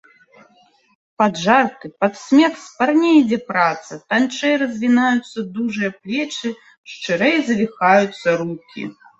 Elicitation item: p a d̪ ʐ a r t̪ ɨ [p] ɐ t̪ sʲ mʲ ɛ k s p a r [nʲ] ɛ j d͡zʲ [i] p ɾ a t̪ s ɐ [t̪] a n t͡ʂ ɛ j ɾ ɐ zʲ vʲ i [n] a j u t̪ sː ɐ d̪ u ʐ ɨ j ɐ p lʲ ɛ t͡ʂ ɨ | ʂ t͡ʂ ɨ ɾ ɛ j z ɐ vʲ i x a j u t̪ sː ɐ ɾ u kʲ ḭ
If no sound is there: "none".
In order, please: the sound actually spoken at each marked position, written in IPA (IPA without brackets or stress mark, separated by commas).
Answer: p, nʲ, ɛ, t̪, n